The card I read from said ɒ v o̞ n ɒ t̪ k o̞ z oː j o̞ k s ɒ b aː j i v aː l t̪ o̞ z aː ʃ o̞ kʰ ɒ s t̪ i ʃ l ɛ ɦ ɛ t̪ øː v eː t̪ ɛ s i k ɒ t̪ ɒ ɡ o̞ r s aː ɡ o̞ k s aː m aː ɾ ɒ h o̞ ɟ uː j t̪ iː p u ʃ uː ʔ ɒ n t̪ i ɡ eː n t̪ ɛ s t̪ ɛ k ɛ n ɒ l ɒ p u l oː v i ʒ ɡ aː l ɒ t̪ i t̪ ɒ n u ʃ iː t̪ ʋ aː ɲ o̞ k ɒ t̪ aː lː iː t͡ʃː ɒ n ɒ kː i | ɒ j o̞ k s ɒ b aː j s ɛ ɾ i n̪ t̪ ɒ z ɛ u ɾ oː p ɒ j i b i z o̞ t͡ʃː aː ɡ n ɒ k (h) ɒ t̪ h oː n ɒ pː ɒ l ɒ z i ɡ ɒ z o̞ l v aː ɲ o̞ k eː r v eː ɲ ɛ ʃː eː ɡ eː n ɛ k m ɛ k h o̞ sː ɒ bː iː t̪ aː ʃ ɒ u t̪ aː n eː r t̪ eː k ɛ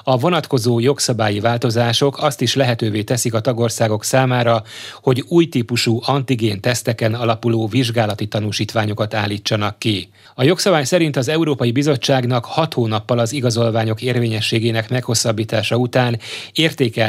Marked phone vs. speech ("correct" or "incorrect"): correct